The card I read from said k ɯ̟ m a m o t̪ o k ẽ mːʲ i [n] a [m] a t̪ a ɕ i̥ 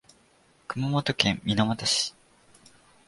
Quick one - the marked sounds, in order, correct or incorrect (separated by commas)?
correct, correct